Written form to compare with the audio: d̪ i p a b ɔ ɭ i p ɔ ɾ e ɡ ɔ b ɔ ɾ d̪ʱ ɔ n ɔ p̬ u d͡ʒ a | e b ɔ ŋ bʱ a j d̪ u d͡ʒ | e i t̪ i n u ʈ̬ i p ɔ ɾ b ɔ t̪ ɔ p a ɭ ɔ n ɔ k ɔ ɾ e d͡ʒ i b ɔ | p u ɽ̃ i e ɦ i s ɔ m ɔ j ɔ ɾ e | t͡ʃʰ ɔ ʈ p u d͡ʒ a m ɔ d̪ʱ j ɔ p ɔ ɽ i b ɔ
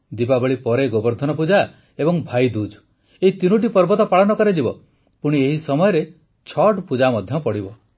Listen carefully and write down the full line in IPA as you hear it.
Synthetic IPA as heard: d̪ i p a b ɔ ɭ i p ɔ ɾ e ɡ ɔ b ɔ ɾ d̪ʱ ɔ n ɔ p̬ u d͡ʒ a | e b ɔ ŋ bʱ a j d̪ u d͡ʒ | e i t̪ i n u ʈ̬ i p ɔ ɾ b ɔ t̪ ɔ p a ɭ ɔ n ɔ k ɔ ɾ e d͡ʒ i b ɔ | p u ɽ̃ i e ɦ i s ɔ m ɔ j ɔ ɾ e | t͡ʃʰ ɔ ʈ p u d͡ʒ a m ɔ d̪ʱ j ɔ p ɔ ɽ i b ɔ

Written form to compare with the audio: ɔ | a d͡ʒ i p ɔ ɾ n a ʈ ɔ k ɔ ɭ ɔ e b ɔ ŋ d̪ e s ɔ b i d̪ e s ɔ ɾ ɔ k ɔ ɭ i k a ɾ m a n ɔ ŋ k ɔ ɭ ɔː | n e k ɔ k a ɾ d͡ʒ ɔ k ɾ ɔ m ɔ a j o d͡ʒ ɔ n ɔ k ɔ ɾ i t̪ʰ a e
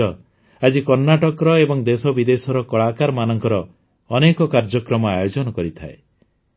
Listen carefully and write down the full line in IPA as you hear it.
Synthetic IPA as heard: ɔ | a d͡ʒ i k ɔ ɾ n a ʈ ɔ k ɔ ɾ ɔ e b ɔ ŋ d̪ e s ɔ b i d̪ e s ɔ ɾ ɔ k ɔ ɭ a k a ɾ m a n ɔ ŋ k ɔ ɾ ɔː | n e k ɔ k a ɾ d͡ʒ ɔ k ɾ ɔ m ɔ a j o d͡ʒ ɔ n ɔ k ɔ ɾ i t̪ʰ a e

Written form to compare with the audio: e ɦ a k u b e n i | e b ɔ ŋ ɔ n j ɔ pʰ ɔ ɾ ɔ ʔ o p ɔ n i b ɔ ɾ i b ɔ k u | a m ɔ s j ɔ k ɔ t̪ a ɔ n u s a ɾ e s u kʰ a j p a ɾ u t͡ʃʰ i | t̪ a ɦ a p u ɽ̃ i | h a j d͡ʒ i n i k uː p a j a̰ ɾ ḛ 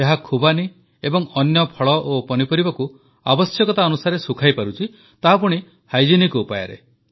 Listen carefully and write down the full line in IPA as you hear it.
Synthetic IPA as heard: e ɦ a kʰ u b a n i | e b ɔ ŋ ɔ n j ɔ pʰ ɔ ɭ ɔ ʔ o p ɔ n i p ɔ ɾ i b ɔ k u | a b ɔ s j ɔ k ɔ t̪ a ɔ n u s a ɾ e s u kʰ a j p a ɾ u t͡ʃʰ i | t̪ a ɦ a p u ɽ̃ i | h a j d͡ʒ i n i k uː p a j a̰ ɾ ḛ

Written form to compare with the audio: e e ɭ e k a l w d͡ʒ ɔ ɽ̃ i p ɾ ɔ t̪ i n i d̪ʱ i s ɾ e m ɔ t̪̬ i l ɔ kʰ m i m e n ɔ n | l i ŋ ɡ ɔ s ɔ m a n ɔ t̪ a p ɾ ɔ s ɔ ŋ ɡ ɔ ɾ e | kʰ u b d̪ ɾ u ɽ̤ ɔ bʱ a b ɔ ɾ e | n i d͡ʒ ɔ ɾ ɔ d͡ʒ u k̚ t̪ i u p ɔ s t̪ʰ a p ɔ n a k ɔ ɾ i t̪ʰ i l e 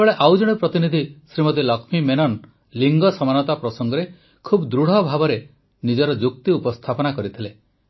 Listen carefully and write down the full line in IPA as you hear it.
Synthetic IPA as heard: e e ɭ e ʔ a w d͡ʒ ɔ ɽ̃ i p ɾ ɔ t̪ i n i d̪ʱ i s ɾ i m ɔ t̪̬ i l ɔ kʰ m i m e n ɔ n | l i ŋ ɡ ɔ s ɔ m a n ɔ t̪ a p ɾ ɔ s ɔ ŋ ɡ ɔ ɾ e | kʰ u b d̪ ɾ u ɽ̤ ɔ bʱ a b ɔ ɾ e | n i d͡ʒ ɔ ɾ ɔ d͡ʒ u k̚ t̪ i u p ɔ s t̪ʰ a p ɔ n a k ɔ ɾ i t̪ʰ i l e

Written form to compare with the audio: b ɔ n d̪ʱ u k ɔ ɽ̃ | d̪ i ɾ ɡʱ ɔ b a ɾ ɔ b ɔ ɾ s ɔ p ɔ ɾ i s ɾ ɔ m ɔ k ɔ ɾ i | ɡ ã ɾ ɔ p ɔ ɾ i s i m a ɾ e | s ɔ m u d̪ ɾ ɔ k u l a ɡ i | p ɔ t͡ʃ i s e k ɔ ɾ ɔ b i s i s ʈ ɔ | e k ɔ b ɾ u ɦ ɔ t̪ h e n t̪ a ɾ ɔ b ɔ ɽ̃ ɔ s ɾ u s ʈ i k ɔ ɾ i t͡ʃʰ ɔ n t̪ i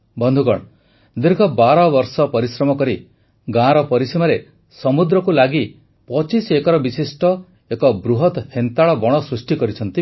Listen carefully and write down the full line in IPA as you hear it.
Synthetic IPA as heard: b ɔ n d̪ʱ u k ɔ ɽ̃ | d̪ i ɾ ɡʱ ɔ b a ɾ ɔ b ɔ ɾ s ɔ p ɔ ɾ i s ɾ ɔ m ɔ k ɔ ɾ i | ɡ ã ɾ ɔ p ɔ ɾ i s i m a ɾ e | s ɔ m u d̪ ɾ ɔ k u l a ɡ i | p ɔ t͡ʃ i s e k ɔ ɾ ɔ b i s i s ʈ ɔ | e k ɔ b ɾ u ɦ ɔ t̪ h e n t̪ a ɭ ɔ b ɔ ɽ̃ ɔ s ɾ u s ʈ i k ɔ ɾ i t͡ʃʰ ɔ n t̪ i

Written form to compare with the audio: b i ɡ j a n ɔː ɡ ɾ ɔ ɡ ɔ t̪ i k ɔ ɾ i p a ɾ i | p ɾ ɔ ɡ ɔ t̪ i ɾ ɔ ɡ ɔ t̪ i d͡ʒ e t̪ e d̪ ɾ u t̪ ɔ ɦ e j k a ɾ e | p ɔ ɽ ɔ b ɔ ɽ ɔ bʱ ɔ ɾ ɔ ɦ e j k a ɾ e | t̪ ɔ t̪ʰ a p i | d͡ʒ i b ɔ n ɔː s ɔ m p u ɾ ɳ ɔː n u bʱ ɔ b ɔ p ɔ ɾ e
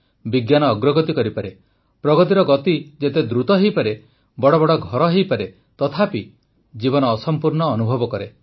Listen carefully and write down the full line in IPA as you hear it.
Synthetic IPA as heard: b i ɡ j a n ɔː ɡ ɾ ɔ ɡ ɔ t̪ i k ɔ ɾ i p a ɾ e | p ɾ ɔ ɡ ɔ t̪ i ɾ ɔ ɡ ɔ t̪ i d͡ʒ e t̪ e d̪ ɾ u t̪ ɔ ɦ e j p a ɾ e | b ɔ ɽ ɔ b ɔ ɽ ɔ ɡʱ ɔ ɾ ɔ ɦ e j p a ɾ e | t̪ ɔ t̪ʰ a p i | d͡ʒ i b ɔ n ɔː s ɔ m p u ɾ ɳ ɔː n u bʱ ɔ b ɔ k ɔ ɾ e

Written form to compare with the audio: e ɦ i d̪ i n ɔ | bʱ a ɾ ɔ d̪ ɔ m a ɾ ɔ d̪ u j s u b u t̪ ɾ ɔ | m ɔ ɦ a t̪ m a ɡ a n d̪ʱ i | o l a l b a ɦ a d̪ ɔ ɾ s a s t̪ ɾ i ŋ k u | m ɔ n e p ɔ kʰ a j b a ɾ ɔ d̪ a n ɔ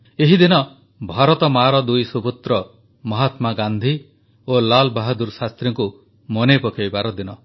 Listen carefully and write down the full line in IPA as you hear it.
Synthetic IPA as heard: e ɦ i d̪ i n ɔ | bʱ a ɾ ɔ t̪ ɔ m a ɾ ɔ d̪ u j s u b u t̪ ɾ ɔ | m ɔ ɦ a t̪ m a ɡ a n d̪ʱ i | o l a l b a ɦ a d̪ u ɾ s a s t̪ ɾ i ŋ k u | m ɔ n e p ɔ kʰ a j b a ɾ ɔ d̪ i n ɔ

